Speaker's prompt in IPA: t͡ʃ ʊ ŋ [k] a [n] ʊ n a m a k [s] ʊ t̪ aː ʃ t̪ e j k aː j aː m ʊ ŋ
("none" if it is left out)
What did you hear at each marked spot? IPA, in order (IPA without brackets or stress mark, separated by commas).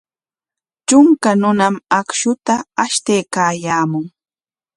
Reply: k, n, ʃ